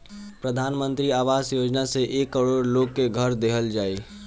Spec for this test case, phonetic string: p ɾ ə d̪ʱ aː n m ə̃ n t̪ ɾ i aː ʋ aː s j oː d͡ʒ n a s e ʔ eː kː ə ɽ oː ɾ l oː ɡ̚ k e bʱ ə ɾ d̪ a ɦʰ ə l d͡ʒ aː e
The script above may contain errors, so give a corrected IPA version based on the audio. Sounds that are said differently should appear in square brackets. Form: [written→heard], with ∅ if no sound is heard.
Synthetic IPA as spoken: p ɾ ə d̪ʱ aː n m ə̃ n t̪ ɾ i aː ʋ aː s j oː d͡ʒ n a s e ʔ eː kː ə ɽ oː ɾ l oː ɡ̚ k e [bʱ→ɡʱ] ə ɾ d̪ [a→e] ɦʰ ə l d͡ʒ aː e